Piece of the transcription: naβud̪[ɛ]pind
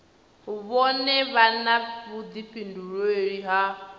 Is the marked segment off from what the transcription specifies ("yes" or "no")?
yes